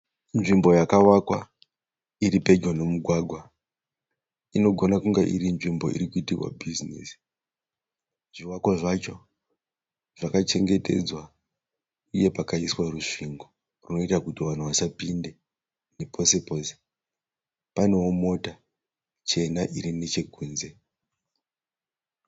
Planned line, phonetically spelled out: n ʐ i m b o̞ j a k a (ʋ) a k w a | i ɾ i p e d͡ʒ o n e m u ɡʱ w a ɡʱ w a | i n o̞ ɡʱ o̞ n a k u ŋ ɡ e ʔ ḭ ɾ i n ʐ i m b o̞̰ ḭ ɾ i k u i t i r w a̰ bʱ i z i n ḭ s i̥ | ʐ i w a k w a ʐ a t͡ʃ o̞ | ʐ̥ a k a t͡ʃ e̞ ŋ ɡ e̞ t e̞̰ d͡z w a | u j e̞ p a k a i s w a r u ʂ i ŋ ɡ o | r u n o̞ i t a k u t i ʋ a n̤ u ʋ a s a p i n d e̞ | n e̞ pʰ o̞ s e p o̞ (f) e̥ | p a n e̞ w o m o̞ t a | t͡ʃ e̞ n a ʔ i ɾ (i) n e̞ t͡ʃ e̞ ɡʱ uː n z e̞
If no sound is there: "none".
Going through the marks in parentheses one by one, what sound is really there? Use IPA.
w, s, i

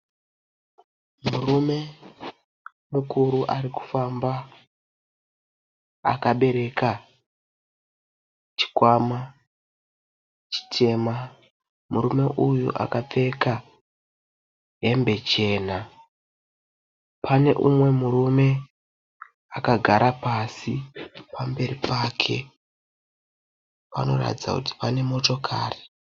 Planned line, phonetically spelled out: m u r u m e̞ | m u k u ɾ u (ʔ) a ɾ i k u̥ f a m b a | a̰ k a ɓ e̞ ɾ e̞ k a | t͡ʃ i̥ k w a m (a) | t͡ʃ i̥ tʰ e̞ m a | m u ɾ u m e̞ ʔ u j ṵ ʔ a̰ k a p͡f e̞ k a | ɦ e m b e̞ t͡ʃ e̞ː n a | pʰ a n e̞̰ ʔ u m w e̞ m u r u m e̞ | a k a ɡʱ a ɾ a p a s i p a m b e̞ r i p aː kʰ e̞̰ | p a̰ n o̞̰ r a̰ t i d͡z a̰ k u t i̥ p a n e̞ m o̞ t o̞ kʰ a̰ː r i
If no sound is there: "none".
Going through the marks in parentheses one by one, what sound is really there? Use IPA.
ʔ, a

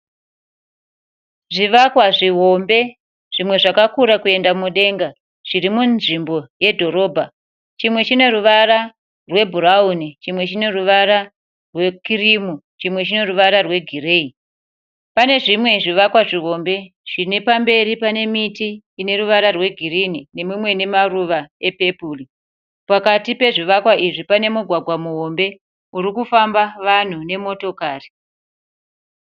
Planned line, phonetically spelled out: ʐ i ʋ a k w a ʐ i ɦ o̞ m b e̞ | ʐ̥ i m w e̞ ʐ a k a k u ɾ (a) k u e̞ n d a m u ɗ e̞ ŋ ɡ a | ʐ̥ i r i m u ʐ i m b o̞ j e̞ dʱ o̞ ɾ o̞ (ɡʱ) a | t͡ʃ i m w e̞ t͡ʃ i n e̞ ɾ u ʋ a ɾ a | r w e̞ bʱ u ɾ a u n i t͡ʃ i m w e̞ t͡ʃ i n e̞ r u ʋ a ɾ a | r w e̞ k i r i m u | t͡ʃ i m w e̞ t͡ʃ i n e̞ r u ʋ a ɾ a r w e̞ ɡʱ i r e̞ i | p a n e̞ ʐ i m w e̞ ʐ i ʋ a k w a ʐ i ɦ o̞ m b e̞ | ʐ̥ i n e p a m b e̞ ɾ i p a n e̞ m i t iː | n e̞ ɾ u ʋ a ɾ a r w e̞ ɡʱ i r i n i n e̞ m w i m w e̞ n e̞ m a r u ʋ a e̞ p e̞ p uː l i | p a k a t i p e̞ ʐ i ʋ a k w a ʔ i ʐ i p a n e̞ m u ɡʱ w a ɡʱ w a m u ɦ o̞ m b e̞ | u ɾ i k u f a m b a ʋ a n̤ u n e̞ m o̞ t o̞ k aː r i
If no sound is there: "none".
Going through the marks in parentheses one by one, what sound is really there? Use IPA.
a, bʱ

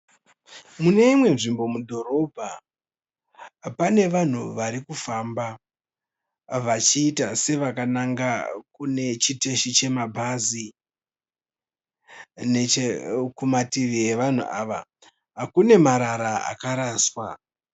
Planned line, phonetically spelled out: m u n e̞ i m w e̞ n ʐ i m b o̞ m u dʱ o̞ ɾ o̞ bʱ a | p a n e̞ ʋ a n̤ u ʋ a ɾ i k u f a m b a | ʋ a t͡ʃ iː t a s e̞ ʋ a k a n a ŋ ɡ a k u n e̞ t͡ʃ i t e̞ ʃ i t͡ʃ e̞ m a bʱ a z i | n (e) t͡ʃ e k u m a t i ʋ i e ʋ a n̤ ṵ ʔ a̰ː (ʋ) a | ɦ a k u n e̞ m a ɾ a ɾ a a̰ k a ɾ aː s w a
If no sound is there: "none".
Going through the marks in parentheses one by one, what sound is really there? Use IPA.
e, ʋ

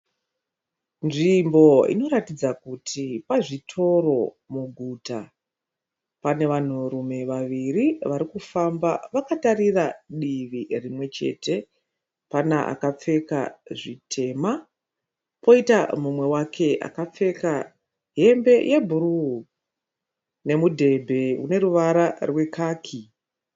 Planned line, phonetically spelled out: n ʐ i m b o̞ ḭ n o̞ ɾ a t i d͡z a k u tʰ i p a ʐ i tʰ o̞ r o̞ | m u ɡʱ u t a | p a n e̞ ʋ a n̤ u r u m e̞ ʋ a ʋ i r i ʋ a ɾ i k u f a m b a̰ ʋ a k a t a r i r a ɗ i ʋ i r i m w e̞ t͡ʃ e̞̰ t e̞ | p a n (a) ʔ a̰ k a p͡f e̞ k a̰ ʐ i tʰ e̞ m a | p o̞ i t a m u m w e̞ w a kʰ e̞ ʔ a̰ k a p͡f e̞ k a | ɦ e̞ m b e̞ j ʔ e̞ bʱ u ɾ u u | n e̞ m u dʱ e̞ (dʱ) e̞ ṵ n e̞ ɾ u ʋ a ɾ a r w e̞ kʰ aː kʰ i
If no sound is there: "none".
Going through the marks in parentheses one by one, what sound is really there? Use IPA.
a, bʱ

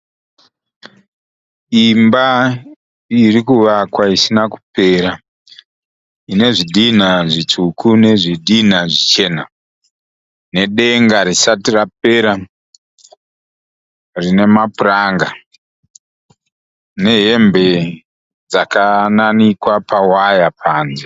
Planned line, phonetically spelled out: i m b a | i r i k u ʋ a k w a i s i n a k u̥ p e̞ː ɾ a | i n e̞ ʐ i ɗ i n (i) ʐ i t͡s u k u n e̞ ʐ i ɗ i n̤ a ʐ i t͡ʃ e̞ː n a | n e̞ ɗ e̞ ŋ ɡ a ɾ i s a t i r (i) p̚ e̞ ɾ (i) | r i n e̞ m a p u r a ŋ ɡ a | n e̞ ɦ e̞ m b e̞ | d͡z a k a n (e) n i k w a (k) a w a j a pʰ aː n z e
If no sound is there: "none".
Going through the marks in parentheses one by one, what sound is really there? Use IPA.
a, a, a, a, p

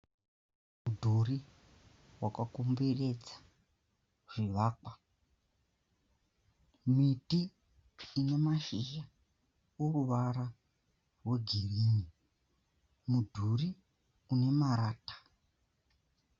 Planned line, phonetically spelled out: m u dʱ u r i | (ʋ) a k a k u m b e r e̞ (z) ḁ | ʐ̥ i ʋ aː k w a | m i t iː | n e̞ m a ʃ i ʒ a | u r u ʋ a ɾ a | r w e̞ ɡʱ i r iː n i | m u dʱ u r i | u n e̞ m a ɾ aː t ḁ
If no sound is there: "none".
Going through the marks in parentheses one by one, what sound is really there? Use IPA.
w, d͡z

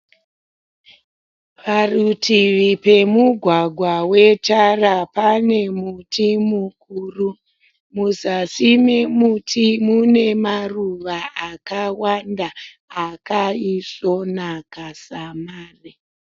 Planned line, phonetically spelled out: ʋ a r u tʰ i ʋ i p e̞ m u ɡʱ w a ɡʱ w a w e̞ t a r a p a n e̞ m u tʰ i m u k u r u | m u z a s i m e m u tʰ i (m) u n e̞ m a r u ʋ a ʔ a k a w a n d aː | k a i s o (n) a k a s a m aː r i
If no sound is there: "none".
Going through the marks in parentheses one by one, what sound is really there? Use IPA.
m, n

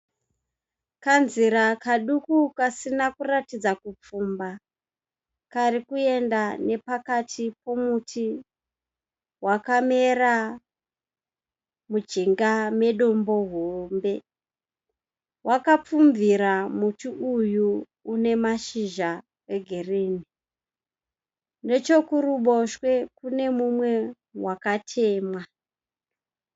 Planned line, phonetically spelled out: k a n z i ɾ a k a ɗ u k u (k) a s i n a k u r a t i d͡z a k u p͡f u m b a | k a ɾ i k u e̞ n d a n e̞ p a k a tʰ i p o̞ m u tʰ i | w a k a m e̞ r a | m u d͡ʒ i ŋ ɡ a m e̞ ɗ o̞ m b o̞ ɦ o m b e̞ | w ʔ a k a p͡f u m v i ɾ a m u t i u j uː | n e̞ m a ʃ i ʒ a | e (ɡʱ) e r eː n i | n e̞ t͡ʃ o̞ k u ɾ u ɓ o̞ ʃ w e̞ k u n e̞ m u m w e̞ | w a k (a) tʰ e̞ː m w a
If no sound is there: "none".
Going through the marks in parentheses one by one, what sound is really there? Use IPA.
k, ɡʱ, a

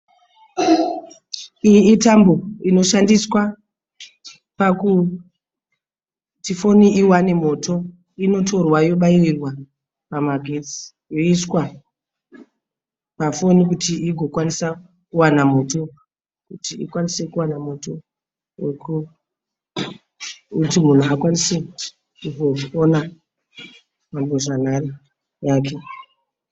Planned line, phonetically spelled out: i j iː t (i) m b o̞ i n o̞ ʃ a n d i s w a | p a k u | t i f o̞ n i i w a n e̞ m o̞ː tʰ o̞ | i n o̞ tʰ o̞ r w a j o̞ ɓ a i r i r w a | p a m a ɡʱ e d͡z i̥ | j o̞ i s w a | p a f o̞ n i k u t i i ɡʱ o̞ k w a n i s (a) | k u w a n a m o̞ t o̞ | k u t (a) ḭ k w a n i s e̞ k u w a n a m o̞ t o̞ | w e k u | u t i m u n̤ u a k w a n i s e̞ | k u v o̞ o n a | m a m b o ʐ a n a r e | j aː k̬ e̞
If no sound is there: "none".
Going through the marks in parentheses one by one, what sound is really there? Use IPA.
a, a, i

